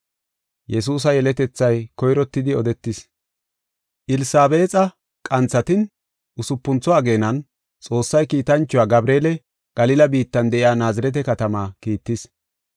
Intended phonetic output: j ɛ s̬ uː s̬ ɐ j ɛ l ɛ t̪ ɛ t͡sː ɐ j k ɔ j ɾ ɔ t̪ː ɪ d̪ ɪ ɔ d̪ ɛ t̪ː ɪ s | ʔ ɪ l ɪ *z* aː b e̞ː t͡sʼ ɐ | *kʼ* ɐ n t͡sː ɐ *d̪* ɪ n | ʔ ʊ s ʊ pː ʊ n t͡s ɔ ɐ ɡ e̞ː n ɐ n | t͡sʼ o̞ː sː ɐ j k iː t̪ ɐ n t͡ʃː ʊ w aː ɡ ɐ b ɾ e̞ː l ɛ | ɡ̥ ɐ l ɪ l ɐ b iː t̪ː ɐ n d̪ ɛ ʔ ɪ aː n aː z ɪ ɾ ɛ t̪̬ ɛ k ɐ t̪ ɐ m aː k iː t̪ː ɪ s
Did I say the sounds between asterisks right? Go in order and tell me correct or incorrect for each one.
incorrect, correct, incorrect

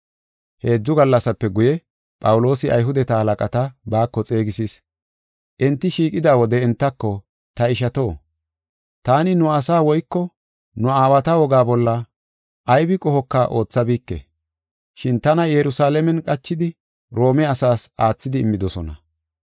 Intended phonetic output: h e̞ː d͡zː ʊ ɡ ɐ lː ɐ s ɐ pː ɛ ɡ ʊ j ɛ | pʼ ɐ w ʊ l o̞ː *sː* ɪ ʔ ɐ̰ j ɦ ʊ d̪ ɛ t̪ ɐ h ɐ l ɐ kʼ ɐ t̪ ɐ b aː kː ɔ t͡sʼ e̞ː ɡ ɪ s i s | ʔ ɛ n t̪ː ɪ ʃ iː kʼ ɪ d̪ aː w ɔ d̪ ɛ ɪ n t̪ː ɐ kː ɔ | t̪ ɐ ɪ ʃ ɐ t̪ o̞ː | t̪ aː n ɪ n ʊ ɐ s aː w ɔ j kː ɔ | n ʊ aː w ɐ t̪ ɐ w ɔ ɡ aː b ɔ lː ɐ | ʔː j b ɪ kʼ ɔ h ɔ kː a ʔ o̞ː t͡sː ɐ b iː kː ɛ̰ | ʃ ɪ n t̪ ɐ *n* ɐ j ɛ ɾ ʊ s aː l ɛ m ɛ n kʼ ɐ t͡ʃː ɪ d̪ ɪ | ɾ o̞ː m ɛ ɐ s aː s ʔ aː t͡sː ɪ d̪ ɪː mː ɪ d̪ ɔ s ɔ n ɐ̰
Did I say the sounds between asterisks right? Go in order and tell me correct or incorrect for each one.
incorrect, correct

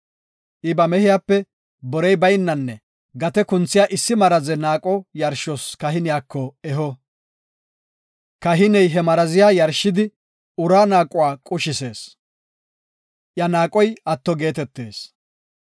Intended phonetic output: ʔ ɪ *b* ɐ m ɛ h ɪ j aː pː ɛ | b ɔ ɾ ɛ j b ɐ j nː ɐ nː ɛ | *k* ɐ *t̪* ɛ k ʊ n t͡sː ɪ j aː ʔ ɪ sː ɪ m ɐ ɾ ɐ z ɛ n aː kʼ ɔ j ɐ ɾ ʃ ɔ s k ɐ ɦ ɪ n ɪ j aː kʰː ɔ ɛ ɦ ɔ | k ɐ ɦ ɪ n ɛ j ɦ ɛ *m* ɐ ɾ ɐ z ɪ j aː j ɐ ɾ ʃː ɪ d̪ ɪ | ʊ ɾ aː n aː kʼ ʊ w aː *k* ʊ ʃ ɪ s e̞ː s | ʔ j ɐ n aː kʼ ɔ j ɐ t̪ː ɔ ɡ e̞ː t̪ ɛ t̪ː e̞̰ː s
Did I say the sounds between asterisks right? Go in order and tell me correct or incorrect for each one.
correct, incorrect, correct, correct, incorrect

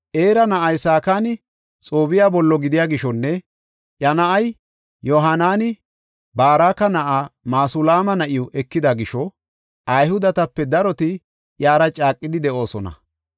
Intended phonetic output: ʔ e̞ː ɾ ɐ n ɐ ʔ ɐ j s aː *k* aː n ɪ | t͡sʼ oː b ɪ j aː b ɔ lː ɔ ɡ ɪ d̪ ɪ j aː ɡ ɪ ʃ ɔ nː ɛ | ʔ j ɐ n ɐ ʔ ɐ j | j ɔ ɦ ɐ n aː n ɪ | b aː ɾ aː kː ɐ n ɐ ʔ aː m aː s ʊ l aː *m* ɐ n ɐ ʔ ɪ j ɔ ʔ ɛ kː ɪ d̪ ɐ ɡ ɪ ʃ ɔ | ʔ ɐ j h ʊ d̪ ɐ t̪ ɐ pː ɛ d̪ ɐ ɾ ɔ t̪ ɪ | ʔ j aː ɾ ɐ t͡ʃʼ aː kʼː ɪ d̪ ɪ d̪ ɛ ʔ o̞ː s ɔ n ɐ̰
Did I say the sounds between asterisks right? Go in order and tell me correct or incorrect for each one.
correct, correct

